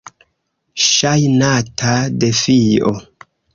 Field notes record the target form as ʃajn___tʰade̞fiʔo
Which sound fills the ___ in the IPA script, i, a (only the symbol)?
a